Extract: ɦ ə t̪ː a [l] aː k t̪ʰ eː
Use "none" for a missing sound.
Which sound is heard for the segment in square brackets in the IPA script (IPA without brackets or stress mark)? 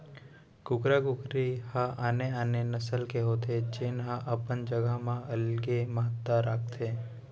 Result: ɾ